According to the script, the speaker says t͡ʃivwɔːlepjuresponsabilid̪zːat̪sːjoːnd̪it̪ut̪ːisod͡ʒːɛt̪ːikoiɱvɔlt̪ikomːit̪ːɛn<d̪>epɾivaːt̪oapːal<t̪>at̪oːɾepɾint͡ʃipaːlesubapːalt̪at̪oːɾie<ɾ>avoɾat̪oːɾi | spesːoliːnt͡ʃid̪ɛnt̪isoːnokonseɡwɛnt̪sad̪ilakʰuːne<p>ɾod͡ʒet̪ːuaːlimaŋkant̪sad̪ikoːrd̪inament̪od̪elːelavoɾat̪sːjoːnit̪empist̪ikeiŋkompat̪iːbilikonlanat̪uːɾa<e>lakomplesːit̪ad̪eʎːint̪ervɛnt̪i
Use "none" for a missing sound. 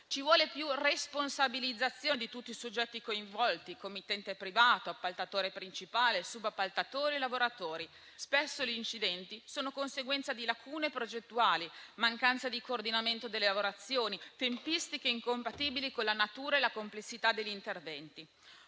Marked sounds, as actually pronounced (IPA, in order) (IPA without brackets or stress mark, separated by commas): t̪, t̪, l, p, e